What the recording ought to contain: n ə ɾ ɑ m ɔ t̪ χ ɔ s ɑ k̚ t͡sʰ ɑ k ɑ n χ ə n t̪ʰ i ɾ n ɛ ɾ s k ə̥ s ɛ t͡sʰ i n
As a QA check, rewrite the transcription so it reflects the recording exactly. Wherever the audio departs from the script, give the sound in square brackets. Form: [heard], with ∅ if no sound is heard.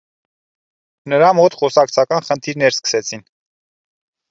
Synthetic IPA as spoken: n ə ɾ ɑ m ɔ t̪ χ ɔ s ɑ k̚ t͡sʰ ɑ k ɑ n χ ə n t̪ʰ i ɾ n ɛ ɾ s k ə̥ s ɛ t͡sʰ i n